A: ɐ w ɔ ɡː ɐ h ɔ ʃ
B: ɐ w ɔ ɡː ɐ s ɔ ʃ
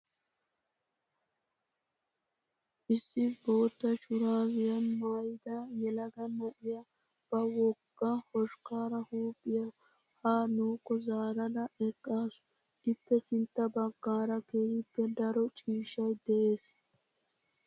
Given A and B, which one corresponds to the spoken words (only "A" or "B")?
A